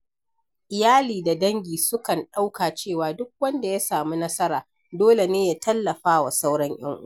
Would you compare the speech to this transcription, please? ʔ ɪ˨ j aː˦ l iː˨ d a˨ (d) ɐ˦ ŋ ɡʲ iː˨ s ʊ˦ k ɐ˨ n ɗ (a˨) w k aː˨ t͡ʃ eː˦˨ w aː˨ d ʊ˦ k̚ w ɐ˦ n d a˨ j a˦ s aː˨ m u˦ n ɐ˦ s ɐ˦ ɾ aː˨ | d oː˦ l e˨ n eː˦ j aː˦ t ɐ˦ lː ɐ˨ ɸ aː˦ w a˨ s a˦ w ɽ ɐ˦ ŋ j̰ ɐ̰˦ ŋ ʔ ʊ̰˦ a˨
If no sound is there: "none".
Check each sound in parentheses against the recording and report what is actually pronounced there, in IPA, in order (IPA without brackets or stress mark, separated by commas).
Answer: d, a˦